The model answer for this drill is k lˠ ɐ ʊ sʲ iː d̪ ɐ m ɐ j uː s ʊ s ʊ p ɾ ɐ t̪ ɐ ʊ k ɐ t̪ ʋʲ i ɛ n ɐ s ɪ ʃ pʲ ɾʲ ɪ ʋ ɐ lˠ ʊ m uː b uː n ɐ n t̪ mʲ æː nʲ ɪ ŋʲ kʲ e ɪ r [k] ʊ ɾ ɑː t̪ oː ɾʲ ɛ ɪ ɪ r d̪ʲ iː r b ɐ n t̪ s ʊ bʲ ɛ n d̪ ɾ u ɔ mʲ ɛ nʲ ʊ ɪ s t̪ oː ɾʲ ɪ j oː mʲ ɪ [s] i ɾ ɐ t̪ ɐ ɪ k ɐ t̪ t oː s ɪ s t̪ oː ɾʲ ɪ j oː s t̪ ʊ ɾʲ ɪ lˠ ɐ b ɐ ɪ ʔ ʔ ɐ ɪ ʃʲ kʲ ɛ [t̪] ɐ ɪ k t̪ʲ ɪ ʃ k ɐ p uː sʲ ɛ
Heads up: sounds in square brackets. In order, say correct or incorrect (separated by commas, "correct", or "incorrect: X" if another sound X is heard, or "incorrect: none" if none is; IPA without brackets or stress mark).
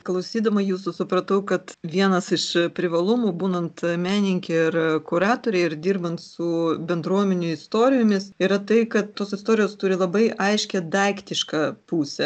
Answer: correct, correct, incorrect: d̪